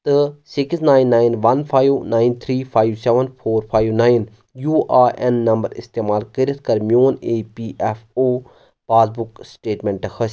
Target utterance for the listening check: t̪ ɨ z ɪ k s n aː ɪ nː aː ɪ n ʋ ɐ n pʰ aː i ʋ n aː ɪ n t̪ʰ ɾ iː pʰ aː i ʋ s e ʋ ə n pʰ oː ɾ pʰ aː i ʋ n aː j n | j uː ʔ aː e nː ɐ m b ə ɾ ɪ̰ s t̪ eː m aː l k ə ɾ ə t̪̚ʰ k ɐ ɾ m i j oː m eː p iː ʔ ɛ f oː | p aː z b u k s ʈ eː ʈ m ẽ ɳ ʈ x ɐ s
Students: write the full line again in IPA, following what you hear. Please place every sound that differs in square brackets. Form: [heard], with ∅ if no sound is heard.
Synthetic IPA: t̪ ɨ [s] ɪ k s n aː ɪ nː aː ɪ n ʋ ɐ n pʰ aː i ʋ n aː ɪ n t̪ʰ ɾ iː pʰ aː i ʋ s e ʋ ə n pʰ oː ɾ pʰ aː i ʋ n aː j n | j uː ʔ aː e nː ɐ m b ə ɾ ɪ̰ s t̪ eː m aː l k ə ɾ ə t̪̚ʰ k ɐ ɾ m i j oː [n] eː p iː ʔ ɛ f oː | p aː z b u k s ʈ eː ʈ m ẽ ɳ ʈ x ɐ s